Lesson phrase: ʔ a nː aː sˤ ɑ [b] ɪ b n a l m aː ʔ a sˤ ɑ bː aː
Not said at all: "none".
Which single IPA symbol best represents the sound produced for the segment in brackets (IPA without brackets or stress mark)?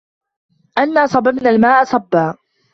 b